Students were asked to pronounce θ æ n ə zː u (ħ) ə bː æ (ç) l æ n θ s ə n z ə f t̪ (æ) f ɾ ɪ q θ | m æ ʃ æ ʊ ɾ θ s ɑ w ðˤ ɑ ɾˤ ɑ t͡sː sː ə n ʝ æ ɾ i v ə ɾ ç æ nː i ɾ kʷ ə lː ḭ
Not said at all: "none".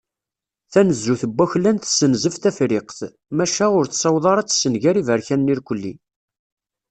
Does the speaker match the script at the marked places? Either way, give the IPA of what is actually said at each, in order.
θ, ç, æ

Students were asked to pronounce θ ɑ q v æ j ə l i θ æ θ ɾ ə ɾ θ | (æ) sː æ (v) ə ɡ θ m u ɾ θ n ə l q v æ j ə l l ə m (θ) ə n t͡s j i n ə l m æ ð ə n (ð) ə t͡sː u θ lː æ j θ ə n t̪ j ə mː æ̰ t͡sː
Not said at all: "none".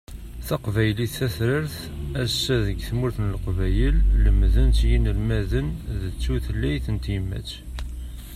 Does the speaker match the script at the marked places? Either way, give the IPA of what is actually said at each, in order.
æ, ð, ð, ð

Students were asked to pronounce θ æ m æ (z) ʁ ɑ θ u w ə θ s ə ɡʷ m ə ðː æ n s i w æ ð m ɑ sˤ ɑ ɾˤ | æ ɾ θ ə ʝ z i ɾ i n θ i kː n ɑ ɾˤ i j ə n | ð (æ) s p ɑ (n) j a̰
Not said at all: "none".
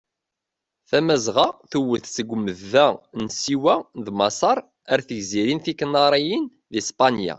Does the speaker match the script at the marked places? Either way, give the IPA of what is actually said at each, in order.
z, i, n

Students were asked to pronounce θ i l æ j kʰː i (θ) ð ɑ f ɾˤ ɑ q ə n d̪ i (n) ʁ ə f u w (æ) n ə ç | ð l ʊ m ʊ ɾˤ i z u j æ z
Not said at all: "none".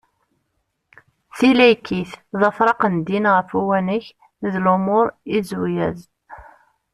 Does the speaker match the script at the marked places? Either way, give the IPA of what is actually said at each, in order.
θ, n, æ

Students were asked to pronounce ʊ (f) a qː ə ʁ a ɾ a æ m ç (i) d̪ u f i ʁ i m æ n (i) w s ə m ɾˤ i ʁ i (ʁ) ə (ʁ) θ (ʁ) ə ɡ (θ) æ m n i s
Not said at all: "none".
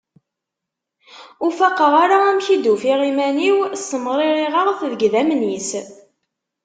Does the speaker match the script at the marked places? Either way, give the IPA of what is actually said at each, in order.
f, i, i, ʁ, ʁ, ð, ð

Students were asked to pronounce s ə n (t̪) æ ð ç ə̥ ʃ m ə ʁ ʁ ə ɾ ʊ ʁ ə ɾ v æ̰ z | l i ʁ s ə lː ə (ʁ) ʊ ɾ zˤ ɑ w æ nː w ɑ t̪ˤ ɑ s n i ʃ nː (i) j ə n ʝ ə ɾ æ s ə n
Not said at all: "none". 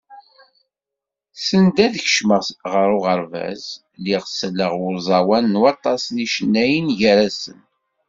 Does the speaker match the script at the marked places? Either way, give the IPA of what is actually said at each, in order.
d̪, ʁ, æ

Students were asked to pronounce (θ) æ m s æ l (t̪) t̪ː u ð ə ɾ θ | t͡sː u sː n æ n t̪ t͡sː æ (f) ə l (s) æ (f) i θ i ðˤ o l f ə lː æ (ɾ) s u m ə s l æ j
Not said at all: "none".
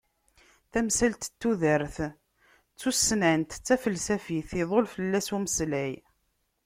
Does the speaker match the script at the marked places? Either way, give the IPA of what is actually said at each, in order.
θ, t̪, f, s, f, none

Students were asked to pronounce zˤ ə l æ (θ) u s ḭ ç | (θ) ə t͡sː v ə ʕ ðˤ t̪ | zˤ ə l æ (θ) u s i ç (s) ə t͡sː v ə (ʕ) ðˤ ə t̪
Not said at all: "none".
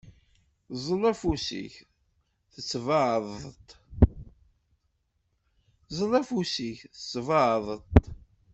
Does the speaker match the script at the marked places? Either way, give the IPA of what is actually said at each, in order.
f, θ, f, θ, ʕ

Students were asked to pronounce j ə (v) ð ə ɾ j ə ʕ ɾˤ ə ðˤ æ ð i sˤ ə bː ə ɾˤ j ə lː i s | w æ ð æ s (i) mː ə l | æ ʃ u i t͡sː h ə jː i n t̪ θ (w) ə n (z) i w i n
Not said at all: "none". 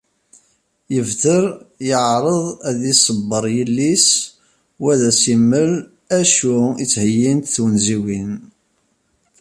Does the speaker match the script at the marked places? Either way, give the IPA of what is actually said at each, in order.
v, i, w, z

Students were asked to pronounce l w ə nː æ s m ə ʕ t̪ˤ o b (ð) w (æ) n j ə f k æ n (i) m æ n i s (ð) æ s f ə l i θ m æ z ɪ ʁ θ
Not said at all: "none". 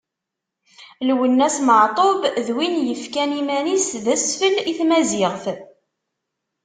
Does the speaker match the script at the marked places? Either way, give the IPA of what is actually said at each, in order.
ð, i, i, ð

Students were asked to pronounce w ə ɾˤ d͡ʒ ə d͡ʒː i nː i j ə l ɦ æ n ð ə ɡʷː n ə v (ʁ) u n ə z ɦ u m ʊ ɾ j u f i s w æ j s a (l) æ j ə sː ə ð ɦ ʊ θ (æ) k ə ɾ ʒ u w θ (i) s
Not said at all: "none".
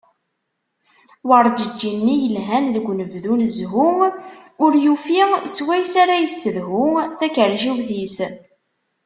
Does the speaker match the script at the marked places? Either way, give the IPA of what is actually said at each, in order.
ð, ɾ, æ, i

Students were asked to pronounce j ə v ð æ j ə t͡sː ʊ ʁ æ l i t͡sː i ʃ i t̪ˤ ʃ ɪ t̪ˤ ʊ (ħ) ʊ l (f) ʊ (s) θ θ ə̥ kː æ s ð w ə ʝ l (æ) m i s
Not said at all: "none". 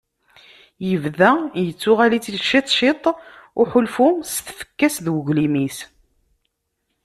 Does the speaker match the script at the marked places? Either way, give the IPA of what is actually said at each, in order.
ħ, f, s, i

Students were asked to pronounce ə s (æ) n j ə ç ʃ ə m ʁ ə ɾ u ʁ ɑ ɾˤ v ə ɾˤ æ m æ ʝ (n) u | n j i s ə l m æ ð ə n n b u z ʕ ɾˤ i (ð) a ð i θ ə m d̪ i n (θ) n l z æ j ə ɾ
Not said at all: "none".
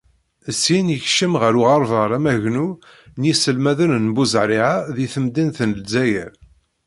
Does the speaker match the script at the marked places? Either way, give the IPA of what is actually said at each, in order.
i, n, ʕ, θ

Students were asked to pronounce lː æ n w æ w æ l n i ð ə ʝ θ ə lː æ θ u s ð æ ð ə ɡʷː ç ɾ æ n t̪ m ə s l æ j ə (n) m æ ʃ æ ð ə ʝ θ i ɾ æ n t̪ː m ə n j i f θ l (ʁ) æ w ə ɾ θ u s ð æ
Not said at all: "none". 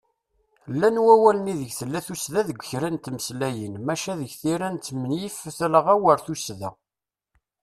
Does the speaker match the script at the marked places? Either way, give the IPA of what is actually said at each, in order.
n, ʁ

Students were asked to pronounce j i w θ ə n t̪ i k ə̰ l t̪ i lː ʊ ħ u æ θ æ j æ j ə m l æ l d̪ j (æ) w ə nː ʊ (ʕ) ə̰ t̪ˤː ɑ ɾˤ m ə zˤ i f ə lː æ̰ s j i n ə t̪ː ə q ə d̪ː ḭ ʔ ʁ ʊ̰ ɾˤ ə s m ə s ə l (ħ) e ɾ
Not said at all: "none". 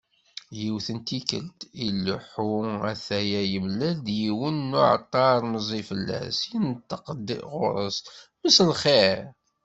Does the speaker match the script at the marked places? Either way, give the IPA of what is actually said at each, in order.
i, ʕ, χ

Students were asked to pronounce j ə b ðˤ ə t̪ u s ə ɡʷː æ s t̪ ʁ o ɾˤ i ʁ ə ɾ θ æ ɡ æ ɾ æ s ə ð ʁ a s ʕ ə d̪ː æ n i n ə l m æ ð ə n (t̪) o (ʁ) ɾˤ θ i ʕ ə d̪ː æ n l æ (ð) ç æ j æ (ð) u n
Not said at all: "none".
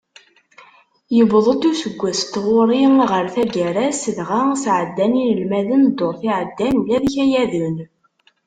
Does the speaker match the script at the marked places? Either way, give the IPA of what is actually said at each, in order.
d̪, none, ð, ð

